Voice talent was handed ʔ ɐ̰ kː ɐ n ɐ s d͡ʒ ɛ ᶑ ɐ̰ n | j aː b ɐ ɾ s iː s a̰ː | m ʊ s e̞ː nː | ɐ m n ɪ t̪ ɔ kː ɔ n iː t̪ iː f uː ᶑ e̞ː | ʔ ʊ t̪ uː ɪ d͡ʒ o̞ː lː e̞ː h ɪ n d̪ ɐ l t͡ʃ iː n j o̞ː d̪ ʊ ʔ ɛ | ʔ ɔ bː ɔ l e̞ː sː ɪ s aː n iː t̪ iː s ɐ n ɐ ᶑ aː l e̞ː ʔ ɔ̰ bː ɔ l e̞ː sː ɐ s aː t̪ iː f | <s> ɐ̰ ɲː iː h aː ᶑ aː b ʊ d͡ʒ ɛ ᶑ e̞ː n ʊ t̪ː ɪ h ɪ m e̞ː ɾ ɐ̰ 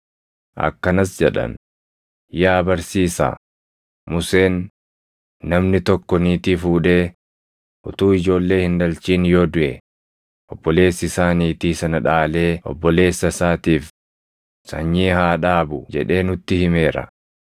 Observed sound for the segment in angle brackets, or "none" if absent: s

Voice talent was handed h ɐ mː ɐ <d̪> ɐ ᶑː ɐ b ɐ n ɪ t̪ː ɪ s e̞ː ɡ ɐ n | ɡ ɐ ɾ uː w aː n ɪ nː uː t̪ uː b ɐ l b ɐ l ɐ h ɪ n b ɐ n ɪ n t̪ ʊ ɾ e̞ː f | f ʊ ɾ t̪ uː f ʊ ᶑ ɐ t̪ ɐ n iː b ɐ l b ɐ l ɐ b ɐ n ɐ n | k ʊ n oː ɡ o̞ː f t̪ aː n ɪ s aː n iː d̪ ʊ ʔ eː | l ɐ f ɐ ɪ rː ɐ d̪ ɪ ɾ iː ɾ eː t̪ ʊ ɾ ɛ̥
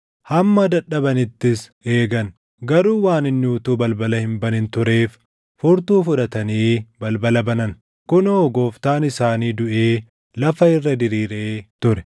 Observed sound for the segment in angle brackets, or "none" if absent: d̪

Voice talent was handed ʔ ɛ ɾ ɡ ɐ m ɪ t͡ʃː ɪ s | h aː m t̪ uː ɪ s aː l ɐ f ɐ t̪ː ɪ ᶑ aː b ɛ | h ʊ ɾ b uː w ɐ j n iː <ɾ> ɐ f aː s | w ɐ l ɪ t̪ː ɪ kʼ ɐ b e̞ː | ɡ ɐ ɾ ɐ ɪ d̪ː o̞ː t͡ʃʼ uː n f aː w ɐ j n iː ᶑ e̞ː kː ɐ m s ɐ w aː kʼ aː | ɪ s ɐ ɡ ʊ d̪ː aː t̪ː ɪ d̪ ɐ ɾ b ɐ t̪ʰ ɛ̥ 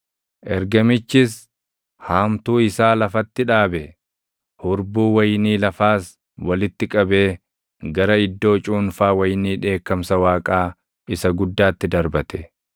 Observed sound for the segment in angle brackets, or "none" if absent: l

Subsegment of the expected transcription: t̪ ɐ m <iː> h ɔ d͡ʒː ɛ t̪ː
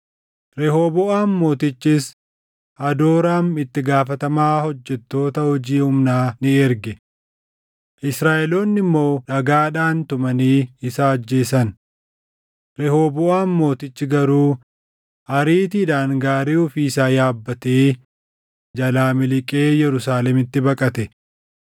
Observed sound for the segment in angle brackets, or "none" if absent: aː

